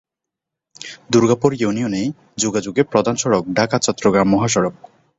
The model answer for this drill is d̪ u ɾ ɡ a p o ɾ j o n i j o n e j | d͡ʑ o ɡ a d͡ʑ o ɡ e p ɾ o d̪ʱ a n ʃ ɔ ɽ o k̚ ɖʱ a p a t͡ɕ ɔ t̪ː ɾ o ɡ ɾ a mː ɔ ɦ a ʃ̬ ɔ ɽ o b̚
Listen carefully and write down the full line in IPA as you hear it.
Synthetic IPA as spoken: d̪ u ɾ ɡ a p o ɾ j u n i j o n e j | d͡ʑ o ɡ a d͡ʑ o ɡ e p ɾ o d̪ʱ a n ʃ ɔ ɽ o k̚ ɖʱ a k a t͡ɕ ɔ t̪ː ɾ o ɡ ɾ a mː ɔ ɦ a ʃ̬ ɔ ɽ o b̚